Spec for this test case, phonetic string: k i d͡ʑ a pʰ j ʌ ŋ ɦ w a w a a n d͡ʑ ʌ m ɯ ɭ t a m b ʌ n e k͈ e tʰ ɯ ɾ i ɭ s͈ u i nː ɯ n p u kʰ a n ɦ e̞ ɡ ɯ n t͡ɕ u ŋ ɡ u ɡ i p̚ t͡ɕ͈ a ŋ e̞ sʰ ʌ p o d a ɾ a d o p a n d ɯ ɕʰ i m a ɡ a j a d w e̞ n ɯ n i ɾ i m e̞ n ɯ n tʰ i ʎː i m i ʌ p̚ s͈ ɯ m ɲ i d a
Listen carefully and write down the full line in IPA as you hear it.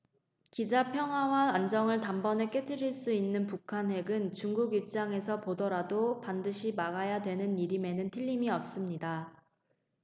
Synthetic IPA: k i d͡ʑ a pʰ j ʌ ŋ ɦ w a w a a n d͡ʑ ʌ ŋ ɯ ɭ t a m b ʌ n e k͈ e tʰ ɯ ɾ i ɭ s͈ u i nː ɯ n p u kʰ a n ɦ e̞ ɡ ɯ n t͡ɕ u ŋ ɡ u ɡ i p̚ t͡ɕ͈ a ŋ e̞ sʰ ʌ p o d ʌ ɾ a d o p a n d ɯ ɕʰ i m a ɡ a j a d w e̞ n ɯ n i ɾ i m e̞ n ɯ n tʰ i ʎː i m i ʌ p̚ s͈ ɯ m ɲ i d a